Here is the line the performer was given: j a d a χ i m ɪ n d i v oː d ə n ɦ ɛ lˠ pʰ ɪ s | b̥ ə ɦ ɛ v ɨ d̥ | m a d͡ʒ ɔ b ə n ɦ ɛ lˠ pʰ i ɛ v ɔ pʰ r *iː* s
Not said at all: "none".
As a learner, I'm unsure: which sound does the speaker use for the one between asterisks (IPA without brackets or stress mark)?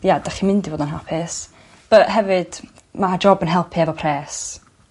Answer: ɛː